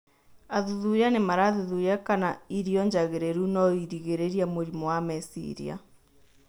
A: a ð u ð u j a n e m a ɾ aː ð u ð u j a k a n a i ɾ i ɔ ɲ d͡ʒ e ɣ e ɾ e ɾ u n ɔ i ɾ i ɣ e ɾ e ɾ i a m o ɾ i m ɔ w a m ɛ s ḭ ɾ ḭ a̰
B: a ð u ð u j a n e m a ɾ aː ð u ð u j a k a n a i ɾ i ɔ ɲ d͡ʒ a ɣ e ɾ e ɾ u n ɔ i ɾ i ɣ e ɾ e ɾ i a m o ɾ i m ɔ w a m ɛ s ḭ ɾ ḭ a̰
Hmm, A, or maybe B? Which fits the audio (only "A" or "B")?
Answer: B